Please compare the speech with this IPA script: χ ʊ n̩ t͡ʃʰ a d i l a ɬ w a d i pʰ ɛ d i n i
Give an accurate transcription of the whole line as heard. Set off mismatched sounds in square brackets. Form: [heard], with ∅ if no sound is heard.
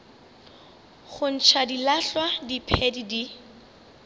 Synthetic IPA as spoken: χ ʊ n̩ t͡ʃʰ a d i l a ɬ w a d i pʰ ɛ d i [d] i